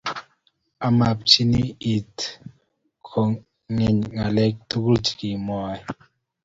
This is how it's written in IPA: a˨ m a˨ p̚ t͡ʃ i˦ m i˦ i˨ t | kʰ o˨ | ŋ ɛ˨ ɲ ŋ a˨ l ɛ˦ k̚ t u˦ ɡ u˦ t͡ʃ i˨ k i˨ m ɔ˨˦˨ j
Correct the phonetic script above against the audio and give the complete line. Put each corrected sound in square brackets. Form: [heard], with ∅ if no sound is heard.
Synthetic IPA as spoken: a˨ m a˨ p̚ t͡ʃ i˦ [n] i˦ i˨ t | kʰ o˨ | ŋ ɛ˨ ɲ ŋ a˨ l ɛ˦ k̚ t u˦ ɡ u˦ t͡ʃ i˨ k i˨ m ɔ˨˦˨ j